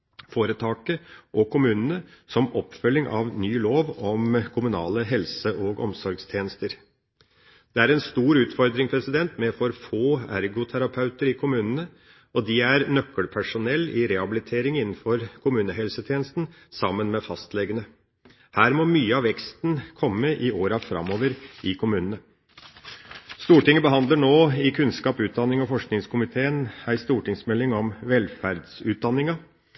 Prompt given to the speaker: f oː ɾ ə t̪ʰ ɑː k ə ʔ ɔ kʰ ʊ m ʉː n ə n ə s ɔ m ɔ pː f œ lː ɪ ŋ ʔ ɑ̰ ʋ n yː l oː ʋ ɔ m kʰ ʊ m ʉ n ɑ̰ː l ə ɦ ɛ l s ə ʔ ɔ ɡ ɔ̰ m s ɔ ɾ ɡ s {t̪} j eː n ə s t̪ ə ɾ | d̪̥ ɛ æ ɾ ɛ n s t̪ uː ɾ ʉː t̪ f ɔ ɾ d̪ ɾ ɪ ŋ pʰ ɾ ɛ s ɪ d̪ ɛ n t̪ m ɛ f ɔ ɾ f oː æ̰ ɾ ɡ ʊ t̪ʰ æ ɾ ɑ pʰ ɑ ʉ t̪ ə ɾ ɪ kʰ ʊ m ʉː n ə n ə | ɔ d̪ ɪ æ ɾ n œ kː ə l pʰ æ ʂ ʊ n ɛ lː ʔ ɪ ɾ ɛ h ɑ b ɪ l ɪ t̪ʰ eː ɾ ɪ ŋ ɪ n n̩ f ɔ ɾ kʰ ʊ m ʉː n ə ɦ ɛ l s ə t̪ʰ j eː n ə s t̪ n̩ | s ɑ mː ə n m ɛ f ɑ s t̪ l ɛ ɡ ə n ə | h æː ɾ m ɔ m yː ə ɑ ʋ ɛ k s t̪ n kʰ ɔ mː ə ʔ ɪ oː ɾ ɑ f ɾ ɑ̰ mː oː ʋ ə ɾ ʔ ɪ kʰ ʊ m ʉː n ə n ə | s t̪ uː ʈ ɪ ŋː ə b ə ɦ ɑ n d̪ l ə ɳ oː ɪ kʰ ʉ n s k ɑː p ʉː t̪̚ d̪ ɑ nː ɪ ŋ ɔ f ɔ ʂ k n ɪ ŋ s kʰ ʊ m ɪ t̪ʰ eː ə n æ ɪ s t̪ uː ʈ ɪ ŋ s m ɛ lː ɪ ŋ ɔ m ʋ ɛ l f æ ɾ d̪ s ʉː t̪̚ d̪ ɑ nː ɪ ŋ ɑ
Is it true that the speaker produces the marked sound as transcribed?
no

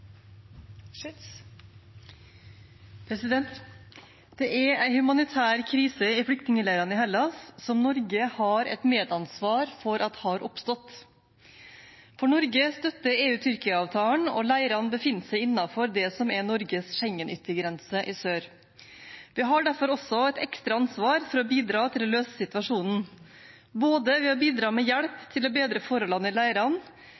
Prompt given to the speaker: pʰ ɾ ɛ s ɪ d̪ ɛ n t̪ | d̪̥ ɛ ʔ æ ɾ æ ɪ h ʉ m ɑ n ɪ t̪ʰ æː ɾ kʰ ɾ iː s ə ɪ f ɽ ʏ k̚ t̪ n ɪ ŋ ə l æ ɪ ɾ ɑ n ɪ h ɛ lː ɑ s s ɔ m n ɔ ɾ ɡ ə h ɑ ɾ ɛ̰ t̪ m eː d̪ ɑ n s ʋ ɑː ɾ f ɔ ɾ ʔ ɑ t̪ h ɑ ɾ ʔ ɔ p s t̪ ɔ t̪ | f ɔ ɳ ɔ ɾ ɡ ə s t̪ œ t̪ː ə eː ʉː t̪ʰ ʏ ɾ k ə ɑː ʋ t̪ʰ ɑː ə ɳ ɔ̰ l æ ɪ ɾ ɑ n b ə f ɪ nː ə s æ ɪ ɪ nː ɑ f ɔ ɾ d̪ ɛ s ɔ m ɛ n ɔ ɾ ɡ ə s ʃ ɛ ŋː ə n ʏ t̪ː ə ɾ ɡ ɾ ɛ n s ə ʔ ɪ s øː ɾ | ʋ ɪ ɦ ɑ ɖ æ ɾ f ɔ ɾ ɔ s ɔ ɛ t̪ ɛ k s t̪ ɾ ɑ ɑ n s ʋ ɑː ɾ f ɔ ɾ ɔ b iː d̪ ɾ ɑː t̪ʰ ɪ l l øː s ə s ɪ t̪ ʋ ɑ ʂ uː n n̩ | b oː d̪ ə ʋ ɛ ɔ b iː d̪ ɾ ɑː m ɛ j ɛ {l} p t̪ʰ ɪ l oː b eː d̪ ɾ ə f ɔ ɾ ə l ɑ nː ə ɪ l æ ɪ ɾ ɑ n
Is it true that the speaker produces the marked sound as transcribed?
no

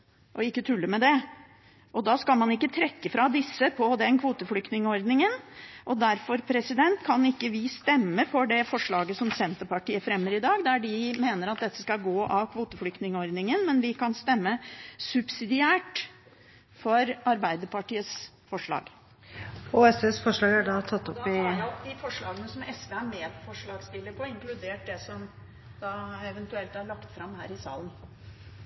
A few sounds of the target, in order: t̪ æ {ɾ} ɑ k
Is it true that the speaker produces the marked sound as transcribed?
no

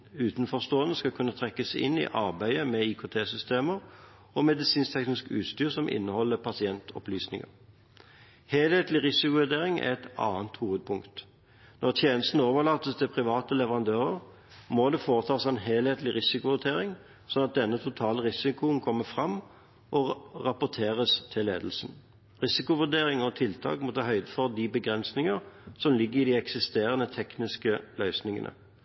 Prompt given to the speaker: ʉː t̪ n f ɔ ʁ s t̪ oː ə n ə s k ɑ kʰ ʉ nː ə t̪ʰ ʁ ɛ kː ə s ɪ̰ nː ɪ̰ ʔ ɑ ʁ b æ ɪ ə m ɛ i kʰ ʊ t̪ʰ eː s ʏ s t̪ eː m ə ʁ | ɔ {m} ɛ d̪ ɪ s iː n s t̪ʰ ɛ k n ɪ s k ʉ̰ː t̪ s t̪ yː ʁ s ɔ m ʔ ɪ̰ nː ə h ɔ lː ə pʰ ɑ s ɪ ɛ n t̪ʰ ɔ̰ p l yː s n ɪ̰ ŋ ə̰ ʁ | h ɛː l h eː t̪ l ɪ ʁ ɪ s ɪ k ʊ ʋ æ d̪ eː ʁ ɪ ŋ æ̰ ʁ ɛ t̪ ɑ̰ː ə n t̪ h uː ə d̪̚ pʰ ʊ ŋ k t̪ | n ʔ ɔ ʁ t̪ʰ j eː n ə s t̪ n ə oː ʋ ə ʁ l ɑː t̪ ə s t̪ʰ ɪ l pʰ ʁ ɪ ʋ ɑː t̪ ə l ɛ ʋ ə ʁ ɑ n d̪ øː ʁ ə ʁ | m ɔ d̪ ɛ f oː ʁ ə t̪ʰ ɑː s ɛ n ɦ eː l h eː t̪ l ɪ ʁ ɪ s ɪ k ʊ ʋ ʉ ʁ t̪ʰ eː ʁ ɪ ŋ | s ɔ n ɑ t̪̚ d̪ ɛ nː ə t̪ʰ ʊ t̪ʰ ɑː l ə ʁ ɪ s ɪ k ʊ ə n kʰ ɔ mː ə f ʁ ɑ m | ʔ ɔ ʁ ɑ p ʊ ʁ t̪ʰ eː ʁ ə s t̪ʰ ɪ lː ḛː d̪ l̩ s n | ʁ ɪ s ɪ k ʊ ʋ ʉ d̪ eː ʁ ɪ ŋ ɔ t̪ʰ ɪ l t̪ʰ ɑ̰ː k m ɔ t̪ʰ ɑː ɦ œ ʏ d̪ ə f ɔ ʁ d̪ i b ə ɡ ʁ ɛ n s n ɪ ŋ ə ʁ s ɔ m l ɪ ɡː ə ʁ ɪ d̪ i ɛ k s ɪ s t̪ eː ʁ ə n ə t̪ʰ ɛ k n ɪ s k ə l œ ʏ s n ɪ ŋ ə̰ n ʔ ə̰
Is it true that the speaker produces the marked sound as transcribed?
yes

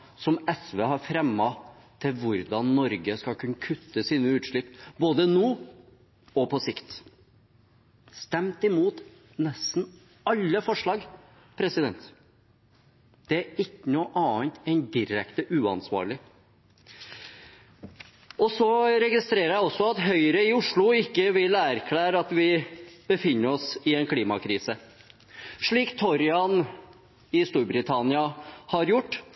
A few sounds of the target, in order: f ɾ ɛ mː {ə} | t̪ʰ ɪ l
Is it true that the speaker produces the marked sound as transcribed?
no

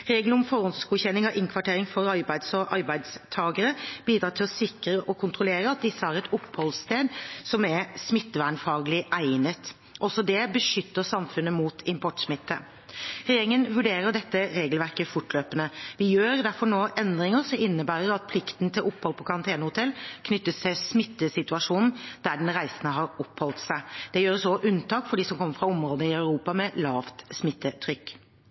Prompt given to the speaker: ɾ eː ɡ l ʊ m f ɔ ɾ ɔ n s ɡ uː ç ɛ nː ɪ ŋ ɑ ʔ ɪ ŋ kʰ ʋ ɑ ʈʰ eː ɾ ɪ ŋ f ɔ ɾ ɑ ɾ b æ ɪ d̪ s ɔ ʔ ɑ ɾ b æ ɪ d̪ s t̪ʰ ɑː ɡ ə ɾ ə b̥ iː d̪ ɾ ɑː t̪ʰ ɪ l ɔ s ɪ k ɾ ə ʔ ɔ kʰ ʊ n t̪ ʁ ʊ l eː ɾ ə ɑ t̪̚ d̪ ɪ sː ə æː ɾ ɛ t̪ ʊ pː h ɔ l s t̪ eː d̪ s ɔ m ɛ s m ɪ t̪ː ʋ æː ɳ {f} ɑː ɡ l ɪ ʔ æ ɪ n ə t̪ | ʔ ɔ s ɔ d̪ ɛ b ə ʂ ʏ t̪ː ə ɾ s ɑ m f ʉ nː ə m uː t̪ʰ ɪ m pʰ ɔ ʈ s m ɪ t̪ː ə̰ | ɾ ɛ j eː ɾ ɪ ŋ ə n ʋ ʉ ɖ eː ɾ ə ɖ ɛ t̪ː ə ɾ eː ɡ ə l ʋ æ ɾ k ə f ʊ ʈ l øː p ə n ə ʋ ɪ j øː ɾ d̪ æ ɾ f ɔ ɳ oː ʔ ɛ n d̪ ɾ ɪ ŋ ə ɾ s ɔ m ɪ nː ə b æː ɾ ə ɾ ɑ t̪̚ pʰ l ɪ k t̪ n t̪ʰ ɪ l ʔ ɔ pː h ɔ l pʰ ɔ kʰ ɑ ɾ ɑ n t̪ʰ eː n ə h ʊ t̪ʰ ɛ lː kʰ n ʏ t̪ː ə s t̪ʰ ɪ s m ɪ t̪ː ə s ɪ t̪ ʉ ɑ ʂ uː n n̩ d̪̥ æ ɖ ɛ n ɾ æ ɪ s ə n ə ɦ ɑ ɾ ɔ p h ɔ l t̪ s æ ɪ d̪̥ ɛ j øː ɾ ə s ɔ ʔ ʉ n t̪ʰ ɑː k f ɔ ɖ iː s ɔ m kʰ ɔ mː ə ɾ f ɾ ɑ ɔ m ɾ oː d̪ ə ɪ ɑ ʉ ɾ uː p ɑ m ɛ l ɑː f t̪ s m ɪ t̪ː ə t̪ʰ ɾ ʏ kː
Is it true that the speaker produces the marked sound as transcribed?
yes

